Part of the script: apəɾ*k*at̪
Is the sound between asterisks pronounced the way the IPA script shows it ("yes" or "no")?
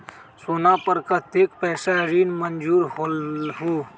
yes